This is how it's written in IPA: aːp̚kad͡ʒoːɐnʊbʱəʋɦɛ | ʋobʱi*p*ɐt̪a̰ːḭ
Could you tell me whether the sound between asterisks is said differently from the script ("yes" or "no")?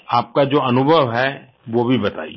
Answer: yes